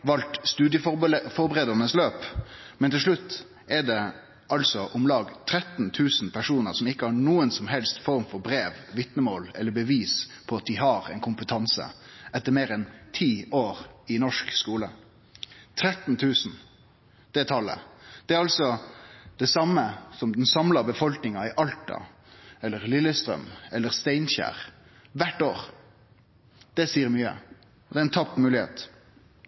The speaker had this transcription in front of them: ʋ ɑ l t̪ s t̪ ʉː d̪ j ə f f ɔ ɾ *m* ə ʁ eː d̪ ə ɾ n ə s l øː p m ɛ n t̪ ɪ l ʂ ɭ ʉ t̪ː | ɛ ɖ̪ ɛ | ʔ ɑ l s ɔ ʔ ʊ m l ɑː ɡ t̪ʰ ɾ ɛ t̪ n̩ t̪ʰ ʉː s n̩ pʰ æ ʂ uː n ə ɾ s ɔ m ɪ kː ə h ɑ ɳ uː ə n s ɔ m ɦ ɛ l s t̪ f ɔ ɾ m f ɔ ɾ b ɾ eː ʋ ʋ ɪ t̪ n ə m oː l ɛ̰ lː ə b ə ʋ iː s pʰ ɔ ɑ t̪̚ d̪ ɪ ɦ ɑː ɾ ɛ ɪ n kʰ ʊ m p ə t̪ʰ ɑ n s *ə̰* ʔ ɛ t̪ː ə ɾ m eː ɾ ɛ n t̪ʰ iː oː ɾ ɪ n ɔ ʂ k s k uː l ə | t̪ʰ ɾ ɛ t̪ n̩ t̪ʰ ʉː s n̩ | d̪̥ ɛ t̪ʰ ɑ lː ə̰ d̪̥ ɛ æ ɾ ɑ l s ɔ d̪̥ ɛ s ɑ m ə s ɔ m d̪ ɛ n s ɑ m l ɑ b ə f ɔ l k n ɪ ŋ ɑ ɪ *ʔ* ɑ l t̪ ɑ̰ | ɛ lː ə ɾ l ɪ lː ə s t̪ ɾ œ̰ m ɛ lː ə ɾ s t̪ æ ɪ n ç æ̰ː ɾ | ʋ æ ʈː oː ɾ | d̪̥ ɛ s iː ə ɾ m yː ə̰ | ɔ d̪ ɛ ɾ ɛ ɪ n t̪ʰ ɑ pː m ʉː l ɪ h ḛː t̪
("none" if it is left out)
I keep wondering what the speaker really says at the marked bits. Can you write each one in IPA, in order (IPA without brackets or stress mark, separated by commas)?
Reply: b, ə̰, ʔ